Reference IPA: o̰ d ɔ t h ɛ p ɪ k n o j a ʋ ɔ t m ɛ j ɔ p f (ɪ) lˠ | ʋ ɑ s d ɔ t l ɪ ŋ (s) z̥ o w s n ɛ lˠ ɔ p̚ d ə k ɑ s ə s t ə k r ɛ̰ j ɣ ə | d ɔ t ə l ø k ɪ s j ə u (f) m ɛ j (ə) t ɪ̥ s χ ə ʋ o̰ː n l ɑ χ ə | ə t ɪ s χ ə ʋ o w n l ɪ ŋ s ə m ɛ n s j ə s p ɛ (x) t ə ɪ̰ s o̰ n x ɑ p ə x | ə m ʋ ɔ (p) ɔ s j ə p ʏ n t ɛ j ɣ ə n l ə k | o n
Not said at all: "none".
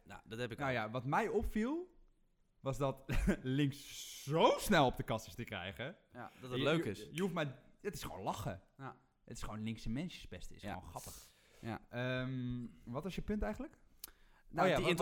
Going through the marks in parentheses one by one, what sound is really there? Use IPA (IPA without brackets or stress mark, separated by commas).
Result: i, s, f, ə, s, t